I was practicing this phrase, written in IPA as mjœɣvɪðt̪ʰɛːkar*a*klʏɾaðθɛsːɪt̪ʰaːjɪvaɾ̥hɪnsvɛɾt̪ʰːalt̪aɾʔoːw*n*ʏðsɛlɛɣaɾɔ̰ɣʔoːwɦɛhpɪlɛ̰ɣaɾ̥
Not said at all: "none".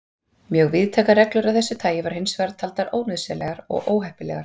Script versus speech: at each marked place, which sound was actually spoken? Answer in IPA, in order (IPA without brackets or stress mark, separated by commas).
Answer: ɛ, n